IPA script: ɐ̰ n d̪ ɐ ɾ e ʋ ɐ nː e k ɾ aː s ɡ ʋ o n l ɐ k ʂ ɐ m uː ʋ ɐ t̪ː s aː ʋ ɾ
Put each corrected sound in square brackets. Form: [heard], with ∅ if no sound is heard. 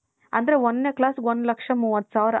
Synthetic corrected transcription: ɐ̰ n d̪ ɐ ɾ e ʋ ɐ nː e k [l] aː s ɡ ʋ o n l ɐ k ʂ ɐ m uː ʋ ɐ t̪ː s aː ʋ ɾ